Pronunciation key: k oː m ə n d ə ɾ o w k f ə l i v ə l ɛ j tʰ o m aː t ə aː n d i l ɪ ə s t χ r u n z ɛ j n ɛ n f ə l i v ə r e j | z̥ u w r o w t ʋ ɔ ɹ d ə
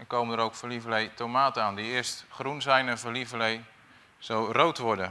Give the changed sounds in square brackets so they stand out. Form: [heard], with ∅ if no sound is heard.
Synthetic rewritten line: k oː m ə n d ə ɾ o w k f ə l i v ə l [e] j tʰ o m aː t ə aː n d i [∅] ɪ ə s t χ r u n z ɛ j n ɛ n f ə l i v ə [l] e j | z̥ [o] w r o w t ʋ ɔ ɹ d ə